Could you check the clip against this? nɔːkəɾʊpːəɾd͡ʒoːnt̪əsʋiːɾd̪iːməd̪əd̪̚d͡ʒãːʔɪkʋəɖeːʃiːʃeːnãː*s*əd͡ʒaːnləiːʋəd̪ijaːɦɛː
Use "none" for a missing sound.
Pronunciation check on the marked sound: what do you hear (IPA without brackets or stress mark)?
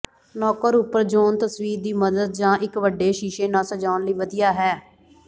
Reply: s